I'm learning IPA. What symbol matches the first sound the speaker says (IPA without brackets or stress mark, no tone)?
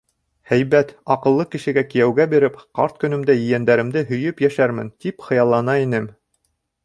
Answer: h